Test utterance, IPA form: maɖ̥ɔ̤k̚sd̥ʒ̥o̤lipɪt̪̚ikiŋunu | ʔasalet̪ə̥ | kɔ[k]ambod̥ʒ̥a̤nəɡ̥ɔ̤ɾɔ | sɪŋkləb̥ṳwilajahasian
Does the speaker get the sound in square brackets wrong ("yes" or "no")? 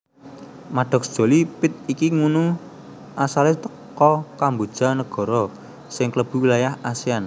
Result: no